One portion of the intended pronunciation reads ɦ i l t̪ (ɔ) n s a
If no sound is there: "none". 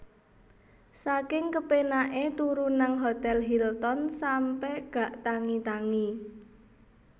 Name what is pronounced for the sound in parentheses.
ɔ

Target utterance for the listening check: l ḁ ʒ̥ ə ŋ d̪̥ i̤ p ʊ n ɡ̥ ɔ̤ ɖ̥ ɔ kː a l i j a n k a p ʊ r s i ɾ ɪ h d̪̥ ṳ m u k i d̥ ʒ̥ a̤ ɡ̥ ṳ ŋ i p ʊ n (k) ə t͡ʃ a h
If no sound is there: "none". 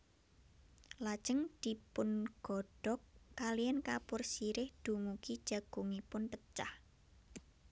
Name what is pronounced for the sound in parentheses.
p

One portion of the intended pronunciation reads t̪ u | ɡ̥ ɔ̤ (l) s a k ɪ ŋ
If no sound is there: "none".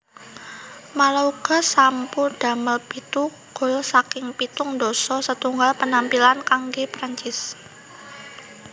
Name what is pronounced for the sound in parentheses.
l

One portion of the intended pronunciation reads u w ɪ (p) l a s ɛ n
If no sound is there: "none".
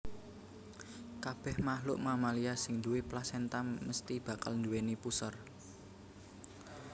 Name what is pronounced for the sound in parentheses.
p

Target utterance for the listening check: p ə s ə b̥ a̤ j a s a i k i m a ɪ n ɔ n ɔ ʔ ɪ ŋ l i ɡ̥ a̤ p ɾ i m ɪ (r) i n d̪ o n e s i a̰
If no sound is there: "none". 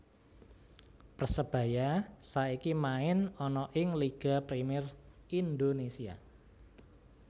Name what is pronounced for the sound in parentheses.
r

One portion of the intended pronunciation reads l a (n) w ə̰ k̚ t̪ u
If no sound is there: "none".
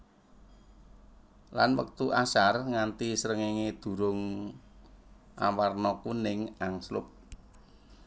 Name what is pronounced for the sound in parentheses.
n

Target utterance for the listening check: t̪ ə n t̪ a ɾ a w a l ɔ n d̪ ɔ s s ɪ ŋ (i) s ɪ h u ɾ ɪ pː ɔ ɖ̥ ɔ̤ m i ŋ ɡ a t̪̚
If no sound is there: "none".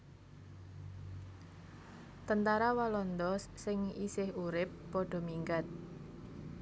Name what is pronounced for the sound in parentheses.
i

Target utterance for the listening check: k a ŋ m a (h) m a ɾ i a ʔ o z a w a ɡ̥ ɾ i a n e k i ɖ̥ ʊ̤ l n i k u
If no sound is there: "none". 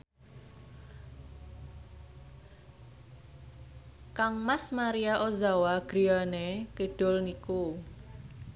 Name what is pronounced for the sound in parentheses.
s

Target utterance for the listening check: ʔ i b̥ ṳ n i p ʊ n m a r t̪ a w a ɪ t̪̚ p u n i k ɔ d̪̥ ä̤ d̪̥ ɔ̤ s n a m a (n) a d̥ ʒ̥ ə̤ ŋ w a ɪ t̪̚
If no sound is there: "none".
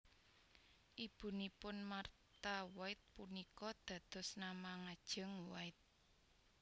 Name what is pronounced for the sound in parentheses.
ŋ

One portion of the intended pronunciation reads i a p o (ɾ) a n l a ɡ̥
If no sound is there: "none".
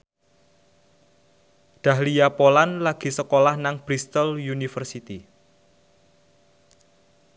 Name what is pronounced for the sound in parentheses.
l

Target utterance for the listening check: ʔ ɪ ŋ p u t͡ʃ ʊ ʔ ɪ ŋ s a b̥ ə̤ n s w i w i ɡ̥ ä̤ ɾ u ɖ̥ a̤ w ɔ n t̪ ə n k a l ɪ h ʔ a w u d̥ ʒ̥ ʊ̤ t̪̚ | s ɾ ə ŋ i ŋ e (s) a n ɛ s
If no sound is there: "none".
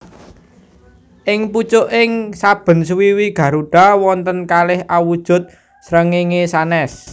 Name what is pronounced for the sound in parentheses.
s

